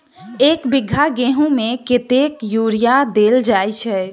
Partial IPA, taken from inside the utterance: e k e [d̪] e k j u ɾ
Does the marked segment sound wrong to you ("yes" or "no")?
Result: yes